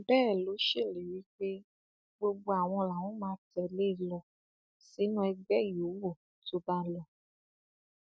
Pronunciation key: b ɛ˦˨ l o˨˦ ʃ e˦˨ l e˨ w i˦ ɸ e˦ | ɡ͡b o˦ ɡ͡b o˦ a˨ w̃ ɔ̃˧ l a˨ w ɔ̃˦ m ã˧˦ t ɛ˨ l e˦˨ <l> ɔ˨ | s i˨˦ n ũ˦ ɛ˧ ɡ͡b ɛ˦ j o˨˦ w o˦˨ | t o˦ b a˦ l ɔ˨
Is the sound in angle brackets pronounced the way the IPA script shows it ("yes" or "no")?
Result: yes